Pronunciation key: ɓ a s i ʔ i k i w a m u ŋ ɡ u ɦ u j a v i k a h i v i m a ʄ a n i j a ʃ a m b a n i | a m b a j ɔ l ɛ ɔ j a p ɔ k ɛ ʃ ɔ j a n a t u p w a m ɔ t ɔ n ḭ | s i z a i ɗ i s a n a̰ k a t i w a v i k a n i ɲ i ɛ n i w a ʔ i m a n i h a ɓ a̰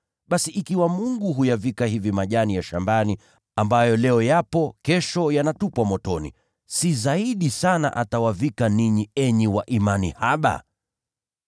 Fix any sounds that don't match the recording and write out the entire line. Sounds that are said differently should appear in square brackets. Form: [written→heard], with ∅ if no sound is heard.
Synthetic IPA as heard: ɓ a s i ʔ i k i w a m u ŋ ɡ u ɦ u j a v i k a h i v i m a ʄ a n i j a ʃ a m b a n i | a m b a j ɔ l ɛ ɔ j a p ɔ k ɛ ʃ ɔ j a n a t u p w a m ɔ t ɔ n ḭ | s i z a i ɗ i s a n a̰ [k→ʔ] a t [i→a] w a v i k a n i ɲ i ɛ [n→ɲ] i w a ʔ i m a n i h a ɓ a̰